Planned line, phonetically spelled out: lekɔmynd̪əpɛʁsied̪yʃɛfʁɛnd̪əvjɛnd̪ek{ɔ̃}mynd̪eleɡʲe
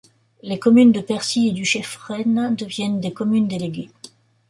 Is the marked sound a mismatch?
yes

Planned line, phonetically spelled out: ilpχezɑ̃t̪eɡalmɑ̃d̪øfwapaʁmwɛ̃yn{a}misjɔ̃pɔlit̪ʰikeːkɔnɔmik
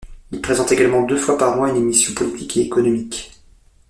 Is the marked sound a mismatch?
yes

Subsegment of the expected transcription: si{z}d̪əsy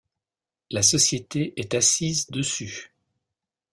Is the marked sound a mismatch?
no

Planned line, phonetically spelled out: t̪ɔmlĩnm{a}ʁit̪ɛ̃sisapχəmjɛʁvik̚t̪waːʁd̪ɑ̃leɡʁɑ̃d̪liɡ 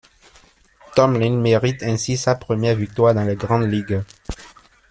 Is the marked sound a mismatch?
yes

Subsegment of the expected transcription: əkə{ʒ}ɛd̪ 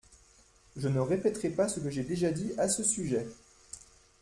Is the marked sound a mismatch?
no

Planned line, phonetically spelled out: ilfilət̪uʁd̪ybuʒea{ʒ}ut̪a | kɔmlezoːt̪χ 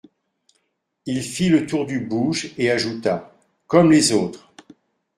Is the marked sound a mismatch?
no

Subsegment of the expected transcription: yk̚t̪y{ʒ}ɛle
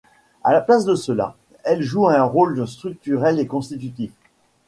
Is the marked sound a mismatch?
yes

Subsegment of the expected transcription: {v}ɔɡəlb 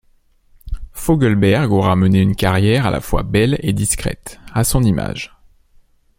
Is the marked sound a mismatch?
yes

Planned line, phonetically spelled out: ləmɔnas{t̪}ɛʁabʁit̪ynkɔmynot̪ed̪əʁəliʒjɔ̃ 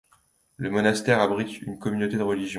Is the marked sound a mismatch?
no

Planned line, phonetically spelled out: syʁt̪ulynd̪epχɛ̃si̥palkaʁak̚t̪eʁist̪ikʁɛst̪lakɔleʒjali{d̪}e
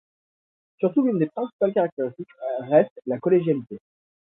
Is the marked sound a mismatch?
yes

